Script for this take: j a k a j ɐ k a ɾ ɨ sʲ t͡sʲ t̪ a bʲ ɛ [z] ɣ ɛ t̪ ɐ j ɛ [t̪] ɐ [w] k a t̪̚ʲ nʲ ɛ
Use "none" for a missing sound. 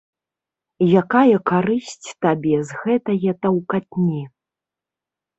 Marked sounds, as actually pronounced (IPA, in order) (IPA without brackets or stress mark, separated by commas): z, t̪, w